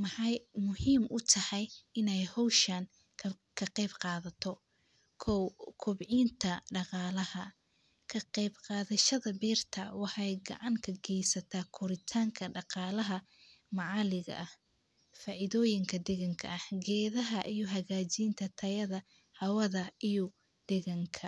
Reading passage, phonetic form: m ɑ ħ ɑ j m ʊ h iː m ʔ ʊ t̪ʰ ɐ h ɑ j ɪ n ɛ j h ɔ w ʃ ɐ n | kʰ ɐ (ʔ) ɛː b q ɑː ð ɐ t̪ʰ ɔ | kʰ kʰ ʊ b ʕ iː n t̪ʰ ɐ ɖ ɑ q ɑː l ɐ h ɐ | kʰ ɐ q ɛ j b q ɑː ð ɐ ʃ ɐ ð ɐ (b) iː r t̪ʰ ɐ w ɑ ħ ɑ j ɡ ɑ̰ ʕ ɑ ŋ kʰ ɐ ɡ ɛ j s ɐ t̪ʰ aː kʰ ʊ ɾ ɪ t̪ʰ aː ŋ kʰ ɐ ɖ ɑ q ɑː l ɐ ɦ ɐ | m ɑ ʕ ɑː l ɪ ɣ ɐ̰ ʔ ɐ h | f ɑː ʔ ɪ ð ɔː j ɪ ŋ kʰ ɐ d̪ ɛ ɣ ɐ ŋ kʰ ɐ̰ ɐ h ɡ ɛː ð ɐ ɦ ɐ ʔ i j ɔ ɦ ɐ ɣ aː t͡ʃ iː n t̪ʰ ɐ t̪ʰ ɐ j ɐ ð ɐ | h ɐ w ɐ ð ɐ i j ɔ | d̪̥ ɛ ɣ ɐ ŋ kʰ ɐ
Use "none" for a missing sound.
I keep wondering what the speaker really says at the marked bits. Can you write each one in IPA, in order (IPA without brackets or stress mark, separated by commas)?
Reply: q, b